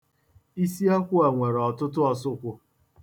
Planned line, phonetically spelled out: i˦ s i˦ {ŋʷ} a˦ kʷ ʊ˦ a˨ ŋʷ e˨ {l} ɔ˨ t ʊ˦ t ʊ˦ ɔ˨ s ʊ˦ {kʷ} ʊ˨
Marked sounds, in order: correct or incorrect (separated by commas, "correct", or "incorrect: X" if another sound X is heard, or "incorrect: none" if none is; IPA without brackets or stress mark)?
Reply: incorrect: none, incorrect: ɾ, correct